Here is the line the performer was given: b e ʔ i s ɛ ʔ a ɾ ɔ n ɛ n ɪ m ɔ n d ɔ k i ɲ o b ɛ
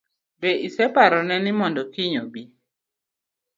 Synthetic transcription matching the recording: b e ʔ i s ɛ p a ɾ ɔ n ɛ n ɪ m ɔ n d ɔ k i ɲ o b i

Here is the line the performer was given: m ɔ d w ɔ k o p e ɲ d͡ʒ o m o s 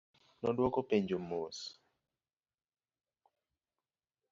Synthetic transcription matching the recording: n ɔ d w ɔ k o p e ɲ d͡ʒ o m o s

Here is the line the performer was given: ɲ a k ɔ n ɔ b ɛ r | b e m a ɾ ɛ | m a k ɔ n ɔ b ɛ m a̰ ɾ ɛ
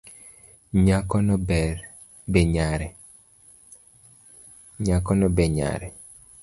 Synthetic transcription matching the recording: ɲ a k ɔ n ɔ b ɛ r | b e ɲ a ɾ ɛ | ɲ a k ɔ n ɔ b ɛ ɲ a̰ ɾ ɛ

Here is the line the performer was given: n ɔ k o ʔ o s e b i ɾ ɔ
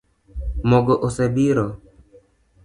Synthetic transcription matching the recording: m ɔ ɡ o ʔ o s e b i ɾ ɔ

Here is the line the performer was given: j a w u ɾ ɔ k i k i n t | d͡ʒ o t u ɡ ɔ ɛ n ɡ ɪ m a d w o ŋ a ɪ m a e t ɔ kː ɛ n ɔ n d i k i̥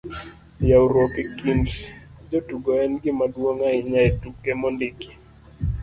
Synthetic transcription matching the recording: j a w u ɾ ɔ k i k i n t | d͡ʒ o t u ɡ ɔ ɛ n ɡ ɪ m a d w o ŋ a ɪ ɲ a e t u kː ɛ m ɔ n d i k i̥

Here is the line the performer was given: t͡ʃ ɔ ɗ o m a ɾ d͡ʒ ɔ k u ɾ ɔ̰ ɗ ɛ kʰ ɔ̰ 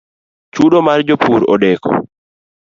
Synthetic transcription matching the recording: t͡ʃ u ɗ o m a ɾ d͡ʒ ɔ p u ɾ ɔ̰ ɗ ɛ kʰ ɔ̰

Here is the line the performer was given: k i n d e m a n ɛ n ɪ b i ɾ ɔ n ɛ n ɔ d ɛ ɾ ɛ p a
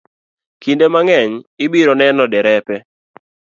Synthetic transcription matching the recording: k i n d e m a ŋ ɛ ɲ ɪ b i ɾ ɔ n ɛ n ɔ d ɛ ɾ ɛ p ɛ

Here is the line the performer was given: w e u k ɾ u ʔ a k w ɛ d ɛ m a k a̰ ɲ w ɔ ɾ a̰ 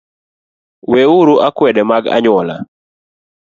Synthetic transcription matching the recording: w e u ɾ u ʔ a k w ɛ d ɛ m a ɡ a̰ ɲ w ɔ l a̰

